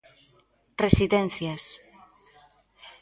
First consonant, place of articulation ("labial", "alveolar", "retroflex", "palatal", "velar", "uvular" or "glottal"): alveolar